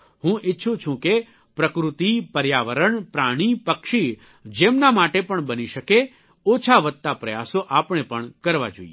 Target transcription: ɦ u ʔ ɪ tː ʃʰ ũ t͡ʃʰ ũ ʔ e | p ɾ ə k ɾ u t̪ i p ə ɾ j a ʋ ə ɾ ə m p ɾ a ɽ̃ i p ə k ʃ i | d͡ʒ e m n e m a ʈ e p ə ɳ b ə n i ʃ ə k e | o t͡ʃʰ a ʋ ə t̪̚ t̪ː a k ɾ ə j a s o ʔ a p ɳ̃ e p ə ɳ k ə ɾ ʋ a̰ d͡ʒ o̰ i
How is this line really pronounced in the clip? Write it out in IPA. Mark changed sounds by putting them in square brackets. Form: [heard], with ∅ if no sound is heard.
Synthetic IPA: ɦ [ũ] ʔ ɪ tː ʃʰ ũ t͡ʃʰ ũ [k] e | p ɾ ə k ɾ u t̪ i p ə ɾ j a ʋ ə ɾ ə [ɳ] p ɾ a ɽ̃ i p ə k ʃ i | d͡ʒ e m n [a] m a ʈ e p ə ɳ b ə n i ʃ ə k e | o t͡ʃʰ a ʋ ə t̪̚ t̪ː a [p] ɾ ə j a s o ʔ a p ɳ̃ e p ə ɳ k ə ɾ ʋ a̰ d͡ʒ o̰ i